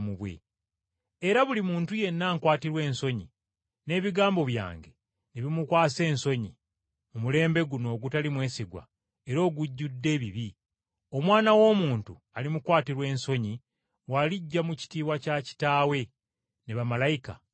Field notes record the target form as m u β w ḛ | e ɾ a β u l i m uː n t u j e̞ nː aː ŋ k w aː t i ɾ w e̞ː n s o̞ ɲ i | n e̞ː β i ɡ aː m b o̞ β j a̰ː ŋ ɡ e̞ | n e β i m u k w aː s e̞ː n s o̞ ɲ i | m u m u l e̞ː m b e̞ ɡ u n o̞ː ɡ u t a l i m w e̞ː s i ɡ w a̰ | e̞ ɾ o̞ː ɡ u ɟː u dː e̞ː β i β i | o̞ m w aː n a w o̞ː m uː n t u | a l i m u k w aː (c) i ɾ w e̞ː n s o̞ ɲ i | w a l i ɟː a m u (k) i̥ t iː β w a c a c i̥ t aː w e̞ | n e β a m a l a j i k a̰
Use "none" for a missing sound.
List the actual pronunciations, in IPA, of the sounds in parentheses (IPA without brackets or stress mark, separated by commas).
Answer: t, c